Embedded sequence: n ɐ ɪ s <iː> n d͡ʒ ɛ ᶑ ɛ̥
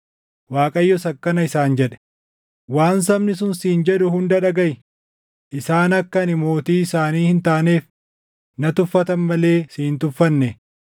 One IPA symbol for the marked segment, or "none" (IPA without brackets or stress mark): aː